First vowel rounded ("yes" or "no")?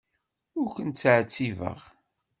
yes